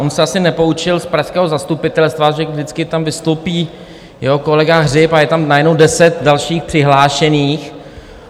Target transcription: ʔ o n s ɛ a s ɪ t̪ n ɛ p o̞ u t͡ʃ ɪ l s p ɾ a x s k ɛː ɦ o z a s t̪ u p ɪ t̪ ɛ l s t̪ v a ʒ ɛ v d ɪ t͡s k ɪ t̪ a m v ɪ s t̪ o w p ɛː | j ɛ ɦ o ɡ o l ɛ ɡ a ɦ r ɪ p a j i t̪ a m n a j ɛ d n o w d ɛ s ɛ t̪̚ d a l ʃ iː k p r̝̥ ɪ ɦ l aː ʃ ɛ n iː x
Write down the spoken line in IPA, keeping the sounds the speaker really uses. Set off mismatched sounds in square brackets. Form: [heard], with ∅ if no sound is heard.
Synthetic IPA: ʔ o n s ɛ a s ɪ [∅] n ɛ p o̞ u t͡ʃ ɪ l s p ɾ a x s k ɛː ɦ o z a s t̪ u p ɪ t̪ ɛ l s t̪ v a ʒ ɛ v d ɪ t͡s k ɪ t̪ a m v ɪ s t̪ o w p [iː] | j ɛ ɦ o [k] o l ɛ ɡ a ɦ r ɪ p a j [ɛ] t̪ a m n a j ɛ d n o w d ɛ s ɛ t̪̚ d a l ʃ iː [x] p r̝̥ ɪ ɦ l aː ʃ ɛ n iː x